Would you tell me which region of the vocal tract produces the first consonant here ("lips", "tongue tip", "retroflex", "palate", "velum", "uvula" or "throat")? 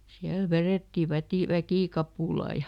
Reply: tongue tip